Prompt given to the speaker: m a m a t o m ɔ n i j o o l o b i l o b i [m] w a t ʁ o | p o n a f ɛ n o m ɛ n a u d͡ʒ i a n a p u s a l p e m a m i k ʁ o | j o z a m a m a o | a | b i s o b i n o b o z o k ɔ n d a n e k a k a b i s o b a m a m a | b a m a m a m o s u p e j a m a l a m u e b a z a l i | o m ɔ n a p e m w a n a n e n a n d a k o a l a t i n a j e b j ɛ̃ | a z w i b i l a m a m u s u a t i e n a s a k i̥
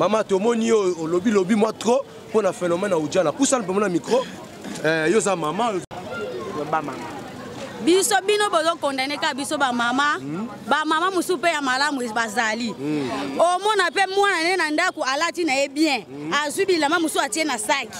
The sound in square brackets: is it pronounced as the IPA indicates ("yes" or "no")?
yes